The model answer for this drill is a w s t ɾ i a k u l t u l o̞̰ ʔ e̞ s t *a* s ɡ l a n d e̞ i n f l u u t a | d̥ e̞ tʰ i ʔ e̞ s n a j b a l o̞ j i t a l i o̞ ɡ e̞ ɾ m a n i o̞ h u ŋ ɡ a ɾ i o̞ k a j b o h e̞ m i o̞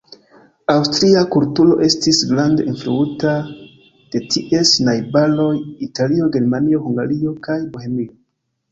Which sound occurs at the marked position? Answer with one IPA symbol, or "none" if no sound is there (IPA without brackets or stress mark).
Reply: i